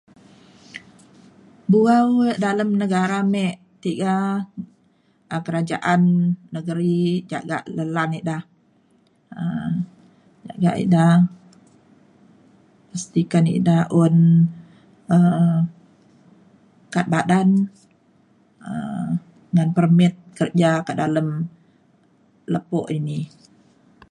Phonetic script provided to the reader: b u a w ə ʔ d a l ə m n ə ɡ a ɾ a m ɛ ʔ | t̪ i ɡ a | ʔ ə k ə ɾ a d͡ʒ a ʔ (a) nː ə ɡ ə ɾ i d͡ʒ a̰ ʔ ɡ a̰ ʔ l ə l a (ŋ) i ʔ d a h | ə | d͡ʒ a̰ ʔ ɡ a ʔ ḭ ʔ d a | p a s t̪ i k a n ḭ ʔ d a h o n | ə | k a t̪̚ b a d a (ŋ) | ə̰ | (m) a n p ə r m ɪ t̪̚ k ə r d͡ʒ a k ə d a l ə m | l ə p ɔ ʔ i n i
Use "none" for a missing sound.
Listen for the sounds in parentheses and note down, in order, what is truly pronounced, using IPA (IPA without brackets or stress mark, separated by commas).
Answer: a, n, n, ŋ